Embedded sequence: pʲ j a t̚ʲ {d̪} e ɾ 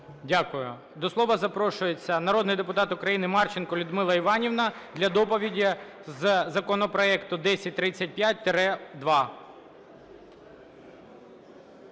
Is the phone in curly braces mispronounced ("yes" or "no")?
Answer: yes